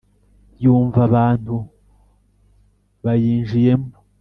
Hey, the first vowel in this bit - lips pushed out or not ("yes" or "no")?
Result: yes